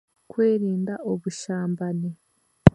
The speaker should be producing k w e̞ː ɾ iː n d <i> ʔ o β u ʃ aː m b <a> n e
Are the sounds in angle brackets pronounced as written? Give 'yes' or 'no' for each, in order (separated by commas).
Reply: no, yes